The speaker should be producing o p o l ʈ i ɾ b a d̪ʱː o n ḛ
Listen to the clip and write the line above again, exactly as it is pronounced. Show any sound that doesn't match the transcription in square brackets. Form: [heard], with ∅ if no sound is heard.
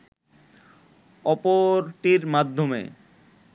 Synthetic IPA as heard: [ɔ] p o [ɾ] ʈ i ɾ [m] a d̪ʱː o [m] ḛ

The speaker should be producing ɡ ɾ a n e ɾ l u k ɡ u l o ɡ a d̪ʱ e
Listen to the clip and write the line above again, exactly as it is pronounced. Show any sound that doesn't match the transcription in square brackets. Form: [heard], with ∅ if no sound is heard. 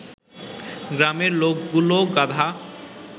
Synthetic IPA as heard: ɡ ɾ a [m] e ɾ l [o] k ɡ u l o ɡ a d̪ʱ [a]

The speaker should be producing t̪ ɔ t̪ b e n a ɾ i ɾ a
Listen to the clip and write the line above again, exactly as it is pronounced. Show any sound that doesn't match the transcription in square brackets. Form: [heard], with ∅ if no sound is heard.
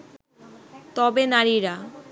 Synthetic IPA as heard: t̪ ɔ [∅] b e n a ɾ i ɾ a

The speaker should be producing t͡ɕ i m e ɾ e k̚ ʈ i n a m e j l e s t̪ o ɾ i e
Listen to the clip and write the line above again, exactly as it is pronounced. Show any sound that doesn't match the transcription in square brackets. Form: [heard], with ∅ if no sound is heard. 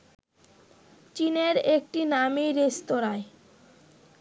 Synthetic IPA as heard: t͡ɕ i [n] e ɾ e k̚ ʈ i n a m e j [ɾ] e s t̪ o ɾ [a] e

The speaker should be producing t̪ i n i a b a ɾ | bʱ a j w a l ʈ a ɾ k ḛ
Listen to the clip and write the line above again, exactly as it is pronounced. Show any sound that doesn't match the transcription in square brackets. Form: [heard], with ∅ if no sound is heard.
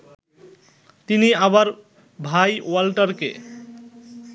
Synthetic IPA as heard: t̪ i n i a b a ɾ | bʱ a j w a l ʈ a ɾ k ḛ

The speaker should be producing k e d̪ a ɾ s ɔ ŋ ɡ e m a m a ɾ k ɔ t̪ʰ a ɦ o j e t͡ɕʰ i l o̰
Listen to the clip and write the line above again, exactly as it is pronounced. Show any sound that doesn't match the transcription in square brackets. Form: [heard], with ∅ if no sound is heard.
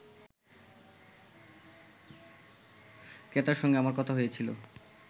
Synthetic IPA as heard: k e [t̪] a ɾ [ʃ] ɔ ŋ ɡ e [∅] a m a ɾ k ɔ t̪ʰ a ɦ o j e t͡ɕʰ i l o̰

